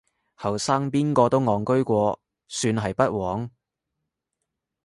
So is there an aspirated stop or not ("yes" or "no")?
no